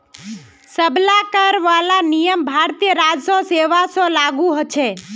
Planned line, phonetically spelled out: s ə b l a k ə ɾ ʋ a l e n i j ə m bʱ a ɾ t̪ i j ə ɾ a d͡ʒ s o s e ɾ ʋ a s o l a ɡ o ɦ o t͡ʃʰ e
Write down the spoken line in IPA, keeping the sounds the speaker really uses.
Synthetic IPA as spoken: s ə b l a k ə ɾ ʋ a l a n i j ə m bʱ a ɾ t̪ i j ə ɾ a d͡ʒ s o s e ʋ a s o l a ɡ u ɦ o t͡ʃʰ e